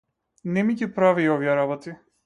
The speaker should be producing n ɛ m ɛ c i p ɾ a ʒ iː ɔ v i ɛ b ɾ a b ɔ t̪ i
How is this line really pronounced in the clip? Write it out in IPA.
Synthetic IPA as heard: n ɛ m i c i p ɾ a v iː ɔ v i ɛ ɾ a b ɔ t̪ i

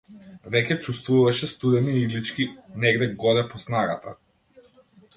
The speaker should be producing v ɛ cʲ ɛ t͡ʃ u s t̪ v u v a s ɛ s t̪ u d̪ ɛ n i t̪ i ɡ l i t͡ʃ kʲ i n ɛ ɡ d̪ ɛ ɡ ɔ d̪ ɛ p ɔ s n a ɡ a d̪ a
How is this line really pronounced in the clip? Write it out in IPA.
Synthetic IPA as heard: v ɛ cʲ ɛ t͡ʃ u s t̪ v u v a ʃ ɛ s t̪ u d̪ ɛ n i i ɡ l i t͡ʃ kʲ i n ɛ ɡ d̪ ɛ ɡ ɔ d̪ ɛ p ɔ s n a ɡ a t̪ a

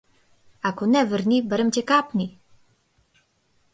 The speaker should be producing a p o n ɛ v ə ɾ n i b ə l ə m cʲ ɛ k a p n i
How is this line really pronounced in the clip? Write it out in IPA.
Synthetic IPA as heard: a k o n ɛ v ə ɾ n i b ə ɾ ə m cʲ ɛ k a p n i

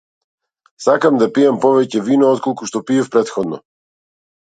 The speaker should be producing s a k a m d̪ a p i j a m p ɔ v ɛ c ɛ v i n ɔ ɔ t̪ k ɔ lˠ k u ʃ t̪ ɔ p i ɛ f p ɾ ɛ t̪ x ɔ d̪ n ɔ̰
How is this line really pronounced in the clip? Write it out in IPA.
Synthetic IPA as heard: s a k a m d̪ a p i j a m p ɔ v ɛ c ɛ v i n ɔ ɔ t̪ k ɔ lˠ k u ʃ t̪ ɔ p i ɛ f p ɾ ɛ t̪ x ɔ d̪ n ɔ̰

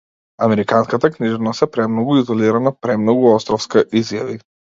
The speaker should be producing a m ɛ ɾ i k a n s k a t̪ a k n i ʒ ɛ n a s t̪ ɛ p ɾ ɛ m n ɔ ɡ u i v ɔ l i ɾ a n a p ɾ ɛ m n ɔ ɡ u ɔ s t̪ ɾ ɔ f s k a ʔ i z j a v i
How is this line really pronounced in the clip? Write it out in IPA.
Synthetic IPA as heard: a m ɛ ɾ i k a n s k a t̪ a k n i ʒ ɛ n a s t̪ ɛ p ɾ ɛ m n ɔ ɡ u i z ɔ l i ɾ a n a p ɾ ɛ m n ɔ ɡ u ɔ s t̪ ɾ ɔ f s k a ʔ i z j a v i

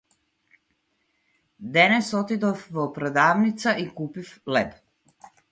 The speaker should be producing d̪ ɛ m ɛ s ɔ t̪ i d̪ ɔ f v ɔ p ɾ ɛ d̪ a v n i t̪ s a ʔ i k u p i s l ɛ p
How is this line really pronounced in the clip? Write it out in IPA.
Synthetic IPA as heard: d̪ ɛ n ɛ s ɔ t̪ i d̪ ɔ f v ɔ p ɾ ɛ d̪ a v n i t̪ s a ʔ i k u p i f l ɛ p

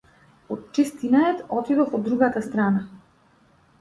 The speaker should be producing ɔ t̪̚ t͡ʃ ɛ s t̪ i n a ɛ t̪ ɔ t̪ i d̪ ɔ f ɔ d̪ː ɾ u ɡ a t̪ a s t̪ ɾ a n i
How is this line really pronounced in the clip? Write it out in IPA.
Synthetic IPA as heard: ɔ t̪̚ t͡ʃ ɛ s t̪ i n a ɛ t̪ ɔ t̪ i d̪ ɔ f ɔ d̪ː ɾ u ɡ a t̪ a s t̪ ɾ a n a

